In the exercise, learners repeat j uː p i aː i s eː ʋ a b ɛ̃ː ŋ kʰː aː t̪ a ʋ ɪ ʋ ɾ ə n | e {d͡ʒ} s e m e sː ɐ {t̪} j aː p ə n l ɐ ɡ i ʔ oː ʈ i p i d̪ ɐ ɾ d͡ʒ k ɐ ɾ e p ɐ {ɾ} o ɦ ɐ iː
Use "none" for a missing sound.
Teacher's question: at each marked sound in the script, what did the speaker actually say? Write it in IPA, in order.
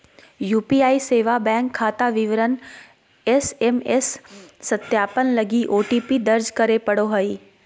none, t̪, ɽ

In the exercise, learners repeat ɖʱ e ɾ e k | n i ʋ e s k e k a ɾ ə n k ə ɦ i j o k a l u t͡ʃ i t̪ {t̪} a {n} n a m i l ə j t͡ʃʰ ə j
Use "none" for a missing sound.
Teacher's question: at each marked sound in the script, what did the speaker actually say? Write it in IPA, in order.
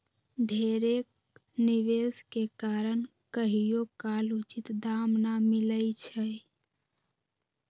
d̪, m

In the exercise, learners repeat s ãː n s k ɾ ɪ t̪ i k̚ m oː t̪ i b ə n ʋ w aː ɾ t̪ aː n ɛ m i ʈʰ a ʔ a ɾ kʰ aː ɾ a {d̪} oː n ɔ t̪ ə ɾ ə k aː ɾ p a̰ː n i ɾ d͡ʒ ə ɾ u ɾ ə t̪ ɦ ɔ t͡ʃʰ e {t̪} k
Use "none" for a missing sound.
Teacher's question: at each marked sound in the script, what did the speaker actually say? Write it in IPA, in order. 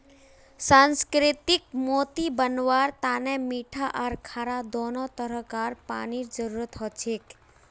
d̪, none

